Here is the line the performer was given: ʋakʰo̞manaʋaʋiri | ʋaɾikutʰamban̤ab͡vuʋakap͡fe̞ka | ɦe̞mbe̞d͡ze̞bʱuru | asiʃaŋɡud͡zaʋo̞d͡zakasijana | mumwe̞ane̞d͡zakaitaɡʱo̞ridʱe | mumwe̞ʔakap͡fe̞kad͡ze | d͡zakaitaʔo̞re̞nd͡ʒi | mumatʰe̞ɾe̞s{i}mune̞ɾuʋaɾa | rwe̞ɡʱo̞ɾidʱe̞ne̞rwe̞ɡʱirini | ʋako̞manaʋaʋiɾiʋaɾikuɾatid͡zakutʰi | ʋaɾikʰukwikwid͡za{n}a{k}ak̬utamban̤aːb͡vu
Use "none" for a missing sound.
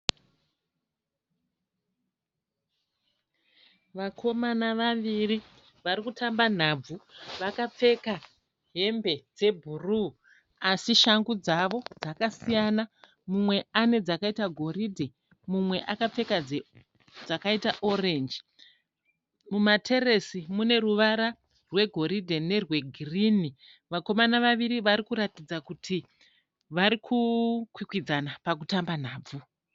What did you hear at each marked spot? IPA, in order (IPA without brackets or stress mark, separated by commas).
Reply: i, n, p